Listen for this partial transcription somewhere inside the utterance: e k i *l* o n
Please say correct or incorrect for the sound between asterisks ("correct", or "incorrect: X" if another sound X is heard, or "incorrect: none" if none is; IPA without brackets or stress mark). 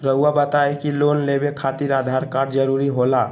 correct